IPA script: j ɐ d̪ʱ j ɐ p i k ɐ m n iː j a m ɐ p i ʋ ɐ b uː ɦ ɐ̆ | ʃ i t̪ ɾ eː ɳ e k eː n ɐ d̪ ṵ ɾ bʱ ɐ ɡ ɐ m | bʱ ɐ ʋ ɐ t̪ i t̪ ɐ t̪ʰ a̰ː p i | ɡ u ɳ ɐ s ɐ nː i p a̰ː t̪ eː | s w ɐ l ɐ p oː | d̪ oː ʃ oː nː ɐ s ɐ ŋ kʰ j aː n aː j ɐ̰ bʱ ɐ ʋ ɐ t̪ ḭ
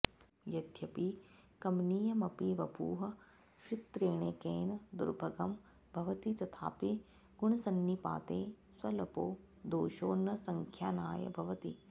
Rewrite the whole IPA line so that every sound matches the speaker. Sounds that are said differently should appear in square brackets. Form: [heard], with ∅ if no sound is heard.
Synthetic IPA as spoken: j ɐ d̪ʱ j ɐ p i k ɐ m n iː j [ɐ] m ɐ p i ʋ ɐ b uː ɦ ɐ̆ | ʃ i t̪ ɾ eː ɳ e k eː n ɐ d̪ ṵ ɾ bʱ ɐ ɡ ɐ m | bʱ ɐ ʋ ɐ t̪ i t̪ ɐ t̪ʰ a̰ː p i | ɡ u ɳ ɐ s ɐ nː i p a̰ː t̪ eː | s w ɐ l ɐ p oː | d̪ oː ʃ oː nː ɐ s ɐ ŋ kʰ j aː n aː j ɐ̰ bʱ ɐ ʋ ɐ t̪ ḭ